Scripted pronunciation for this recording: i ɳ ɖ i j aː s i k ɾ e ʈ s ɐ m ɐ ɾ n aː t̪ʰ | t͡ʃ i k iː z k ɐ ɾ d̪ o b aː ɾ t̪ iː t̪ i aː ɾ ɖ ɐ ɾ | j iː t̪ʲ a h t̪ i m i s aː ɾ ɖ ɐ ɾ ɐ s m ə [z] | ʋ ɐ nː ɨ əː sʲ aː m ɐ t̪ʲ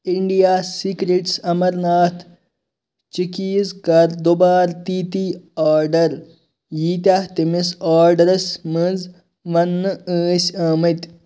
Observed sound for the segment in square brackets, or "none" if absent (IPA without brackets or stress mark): z